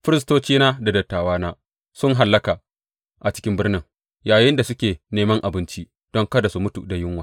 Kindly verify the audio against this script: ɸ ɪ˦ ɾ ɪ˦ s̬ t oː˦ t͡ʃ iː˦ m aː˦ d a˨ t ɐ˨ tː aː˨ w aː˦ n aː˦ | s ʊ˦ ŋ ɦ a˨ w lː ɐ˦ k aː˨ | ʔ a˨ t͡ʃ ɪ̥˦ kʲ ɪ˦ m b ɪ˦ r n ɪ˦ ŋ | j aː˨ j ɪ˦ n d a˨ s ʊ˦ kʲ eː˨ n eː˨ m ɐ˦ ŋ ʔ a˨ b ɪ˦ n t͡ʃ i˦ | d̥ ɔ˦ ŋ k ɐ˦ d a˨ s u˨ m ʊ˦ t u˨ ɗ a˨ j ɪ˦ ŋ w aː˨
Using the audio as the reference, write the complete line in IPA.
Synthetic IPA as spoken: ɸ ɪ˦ ɾ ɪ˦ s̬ t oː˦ t͡ʃ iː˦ n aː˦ d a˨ d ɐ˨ tː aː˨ w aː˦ n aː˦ | s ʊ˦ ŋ ɦ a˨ lː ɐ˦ k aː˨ | ʔ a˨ t͡ʃ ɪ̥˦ kʲ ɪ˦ m b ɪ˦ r n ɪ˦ ŋ | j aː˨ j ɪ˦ n d a˨ s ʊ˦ kʲ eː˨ n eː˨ m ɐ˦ ŋ ʔ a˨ b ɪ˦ n t͡ʃ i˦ | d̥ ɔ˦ ŋ k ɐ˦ d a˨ s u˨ m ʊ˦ t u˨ d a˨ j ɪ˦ ŋ w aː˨